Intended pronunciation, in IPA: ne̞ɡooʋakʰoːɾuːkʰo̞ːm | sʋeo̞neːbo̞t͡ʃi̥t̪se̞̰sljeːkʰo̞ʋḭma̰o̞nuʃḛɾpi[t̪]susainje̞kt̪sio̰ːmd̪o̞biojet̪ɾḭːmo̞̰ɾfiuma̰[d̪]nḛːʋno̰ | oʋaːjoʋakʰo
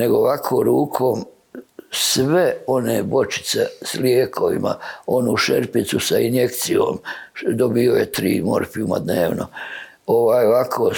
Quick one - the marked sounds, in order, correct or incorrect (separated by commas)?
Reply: correct, correct